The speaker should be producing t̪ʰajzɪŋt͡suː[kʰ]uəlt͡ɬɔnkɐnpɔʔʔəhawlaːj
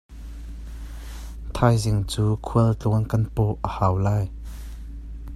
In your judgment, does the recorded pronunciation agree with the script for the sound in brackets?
yes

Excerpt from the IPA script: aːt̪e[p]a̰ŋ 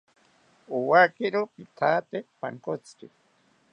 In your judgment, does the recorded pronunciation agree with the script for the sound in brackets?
yes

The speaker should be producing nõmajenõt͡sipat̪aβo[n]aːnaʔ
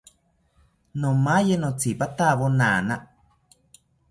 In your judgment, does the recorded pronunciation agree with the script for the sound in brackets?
yes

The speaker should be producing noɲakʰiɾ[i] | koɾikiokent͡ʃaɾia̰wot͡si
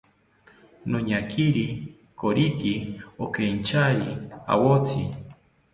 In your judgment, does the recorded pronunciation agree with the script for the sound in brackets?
yes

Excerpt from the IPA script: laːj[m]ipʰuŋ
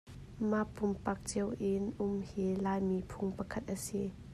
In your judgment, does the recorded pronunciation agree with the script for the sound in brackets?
yes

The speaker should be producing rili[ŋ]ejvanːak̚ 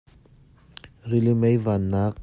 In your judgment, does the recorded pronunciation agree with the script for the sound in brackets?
no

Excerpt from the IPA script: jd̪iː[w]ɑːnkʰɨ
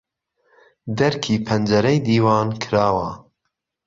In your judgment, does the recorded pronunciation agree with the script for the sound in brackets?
yes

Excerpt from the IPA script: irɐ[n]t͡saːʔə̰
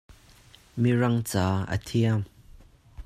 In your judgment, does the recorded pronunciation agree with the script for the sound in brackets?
no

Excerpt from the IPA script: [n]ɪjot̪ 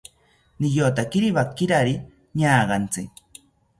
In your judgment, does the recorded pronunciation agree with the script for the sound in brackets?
yes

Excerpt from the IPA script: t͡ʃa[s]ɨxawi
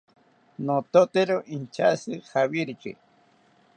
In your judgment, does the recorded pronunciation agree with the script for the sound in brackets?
yes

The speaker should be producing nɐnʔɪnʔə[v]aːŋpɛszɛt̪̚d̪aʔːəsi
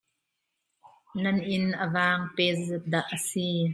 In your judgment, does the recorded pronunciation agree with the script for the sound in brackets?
yes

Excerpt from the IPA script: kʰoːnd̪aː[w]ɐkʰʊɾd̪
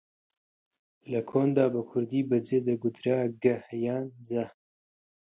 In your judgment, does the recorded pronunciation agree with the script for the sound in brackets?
no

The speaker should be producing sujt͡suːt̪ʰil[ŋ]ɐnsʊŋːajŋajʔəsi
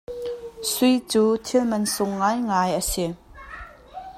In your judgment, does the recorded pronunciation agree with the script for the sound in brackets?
no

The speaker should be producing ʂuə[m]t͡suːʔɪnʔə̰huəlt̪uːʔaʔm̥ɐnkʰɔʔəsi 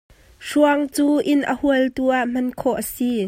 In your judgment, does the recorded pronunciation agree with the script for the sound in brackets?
no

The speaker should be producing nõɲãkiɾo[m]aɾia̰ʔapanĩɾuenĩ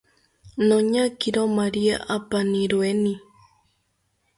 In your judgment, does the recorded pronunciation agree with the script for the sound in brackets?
yes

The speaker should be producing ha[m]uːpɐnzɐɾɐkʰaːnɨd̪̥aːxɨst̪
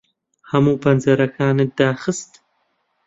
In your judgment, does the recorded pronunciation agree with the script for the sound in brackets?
yes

